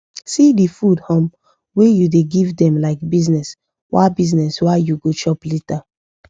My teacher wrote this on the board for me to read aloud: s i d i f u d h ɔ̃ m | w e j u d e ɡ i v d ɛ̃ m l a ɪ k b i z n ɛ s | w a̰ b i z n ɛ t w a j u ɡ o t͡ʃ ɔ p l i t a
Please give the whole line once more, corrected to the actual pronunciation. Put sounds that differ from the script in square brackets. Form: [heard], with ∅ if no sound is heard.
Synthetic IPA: s i d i f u d h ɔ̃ m | w e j u d e ɡ i v d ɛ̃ m l a ɪ k b i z n ɛ s | w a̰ b i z n ɛ [s] w a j u ɡ o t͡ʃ ɔ p l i t a